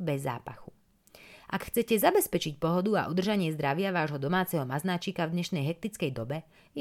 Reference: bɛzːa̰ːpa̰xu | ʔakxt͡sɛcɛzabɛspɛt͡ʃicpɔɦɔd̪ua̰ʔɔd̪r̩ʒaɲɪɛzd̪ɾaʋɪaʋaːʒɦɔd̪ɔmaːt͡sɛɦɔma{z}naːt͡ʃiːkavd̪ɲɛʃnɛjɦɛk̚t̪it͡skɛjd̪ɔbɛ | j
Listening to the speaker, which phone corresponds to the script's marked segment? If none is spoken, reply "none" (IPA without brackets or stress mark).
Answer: z